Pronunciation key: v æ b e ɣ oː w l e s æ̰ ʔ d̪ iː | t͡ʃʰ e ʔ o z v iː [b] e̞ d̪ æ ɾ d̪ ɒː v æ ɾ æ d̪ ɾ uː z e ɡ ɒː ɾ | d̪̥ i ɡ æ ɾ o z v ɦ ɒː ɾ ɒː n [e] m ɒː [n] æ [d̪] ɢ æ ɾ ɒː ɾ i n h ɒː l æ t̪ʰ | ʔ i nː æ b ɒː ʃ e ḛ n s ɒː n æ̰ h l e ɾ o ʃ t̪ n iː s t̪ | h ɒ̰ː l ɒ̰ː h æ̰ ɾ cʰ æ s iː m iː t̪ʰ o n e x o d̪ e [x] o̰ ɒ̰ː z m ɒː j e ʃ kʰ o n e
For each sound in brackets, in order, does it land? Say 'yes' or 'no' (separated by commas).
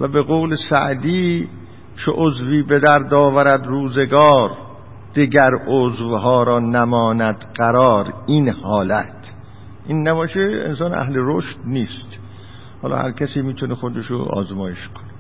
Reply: yes, no, yes, yes, no